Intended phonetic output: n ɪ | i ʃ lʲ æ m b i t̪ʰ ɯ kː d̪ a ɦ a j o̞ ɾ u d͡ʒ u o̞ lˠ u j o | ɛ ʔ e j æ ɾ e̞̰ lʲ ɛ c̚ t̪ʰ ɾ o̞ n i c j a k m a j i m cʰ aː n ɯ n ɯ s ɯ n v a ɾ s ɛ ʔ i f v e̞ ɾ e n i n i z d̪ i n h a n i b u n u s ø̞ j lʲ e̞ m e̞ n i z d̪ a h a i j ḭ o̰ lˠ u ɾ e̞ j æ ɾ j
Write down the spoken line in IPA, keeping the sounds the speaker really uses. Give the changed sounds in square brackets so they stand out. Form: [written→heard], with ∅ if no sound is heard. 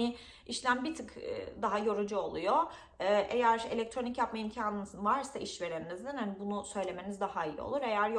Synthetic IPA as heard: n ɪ | i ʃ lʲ æ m b i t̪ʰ ɯ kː d̪ a ɦ a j o̞ ɾ u d͡ʒ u o̞ lˠ u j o | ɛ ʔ e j æ ɾ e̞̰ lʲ ɛ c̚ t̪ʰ ɾ o̞ n i c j a [k→p] m a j i m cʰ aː n ɯ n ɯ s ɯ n v a ɾ s [ɛ→a] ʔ i [f→ʃ] v e̞ ɾ e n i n i z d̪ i n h a n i b u n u s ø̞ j lʲ e̞ m e̞ n i z d̪ a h a i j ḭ o̰ lˠ u ɾ e̞ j æ ɾ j